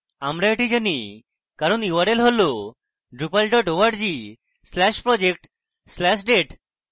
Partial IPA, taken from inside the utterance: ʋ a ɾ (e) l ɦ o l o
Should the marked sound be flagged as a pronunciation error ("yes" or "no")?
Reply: no